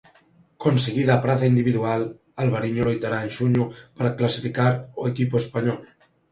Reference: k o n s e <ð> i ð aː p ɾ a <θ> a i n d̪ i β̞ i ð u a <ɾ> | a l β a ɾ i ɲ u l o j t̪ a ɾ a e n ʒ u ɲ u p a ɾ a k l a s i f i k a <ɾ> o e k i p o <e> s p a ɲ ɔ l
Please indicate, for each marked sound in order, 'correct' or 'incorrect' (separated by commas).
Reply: incorrect, correct, incorrect, correct, correct